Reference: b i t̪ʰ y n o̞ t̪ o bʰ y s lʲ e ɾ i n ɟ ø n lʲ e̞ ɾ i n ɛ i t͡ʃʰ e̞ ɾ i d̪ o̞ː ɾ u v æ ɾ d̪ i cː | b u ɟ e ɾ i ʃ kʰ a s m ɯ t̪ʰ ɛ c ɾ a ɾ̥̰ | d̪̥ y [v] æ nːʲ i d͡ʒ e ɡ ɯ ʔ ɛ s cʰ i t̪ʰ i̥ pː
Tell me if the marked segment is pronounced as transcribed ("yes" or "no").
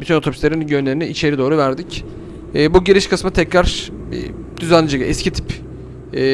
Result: no